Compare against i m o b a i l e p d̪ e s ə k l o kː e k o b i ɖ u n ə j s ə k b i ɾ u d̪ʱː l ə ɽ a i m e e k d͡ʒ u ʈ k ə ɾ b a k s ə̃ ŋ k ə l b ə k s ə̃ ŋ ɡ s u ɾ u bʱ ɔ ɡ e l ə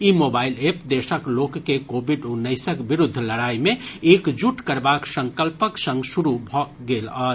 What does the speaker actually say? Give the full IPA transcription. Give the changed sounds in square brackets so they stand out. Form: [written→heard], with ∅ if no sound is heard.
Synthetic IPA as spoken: i m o b a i l e p d̪ e s ə k l o kː e k o b i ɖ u n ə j s ə k b i ɾ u d̪ʱː l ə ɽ a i m e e k d͡ʒ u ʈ k ə ɾ b a k s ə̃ ŋ k ə l [b→p] ə k s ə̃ ŋ ɡ s u ɾ u bʱ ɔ ɡ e l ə